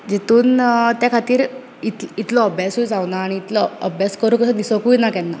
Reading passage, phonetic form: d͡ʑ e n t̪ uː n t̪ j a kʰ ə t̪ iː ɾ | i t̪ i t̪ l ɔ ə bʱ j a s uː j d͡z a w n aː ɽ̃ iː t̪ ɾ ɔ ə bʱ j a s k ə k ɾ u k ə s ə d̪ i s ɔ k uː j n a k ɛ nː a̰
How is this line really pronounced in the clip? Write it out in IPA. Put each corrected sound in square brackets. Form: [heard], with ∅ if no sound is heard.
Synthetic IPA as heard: d͡ʑ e [∅] t̪ uː n t̪ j a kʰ [a] t̪ iː ɾ | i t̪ i t̪ l ɔ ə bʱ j a s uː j d͡z a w n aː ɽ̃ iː t̪ [l] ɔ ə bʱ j a s k ə [∅] ɾ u k ə s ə d̪ i s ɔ k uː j n a k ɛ nː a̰